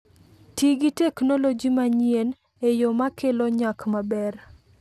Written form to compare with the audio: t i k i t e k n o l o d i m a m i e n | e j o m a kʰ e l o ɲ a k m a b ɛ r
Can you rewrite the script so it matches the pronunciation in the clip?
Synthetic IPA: t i ɡ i t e k n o l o d͡ʒ i m a ɲ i e n | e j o m a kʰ e l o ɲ a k m a b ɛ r